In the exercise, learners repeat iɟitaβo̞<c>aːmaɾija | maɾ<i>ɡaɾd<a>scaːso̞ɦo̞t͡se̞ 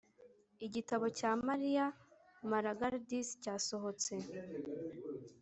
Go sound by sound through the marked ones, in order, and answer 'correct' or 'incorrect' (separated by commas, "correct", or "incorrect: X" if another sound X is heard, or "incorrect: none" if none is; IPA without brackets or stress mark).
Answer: correct, incorrect: a, incorrect: i